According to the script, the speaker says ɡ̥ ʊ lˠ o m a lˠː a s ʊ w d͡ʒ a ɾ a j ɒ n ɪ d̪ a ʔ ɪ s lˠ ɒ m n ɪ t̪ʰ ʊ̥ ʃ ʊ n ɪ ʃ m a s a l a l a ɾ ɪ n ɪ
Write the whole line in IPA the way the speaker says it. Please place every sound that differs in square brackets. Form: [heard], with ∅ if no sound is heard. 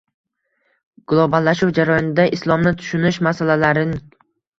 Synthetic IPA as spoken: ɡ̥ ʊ lˠ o [b] a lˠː a [ʃ] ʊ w d͡ʒ a ɾ a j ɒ n ɪ d̪ a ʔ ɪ s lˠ ɒ m n ɪ t̪ʰ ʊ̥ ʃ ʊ n ɪ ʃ m a s a l a l a ɾ ɪ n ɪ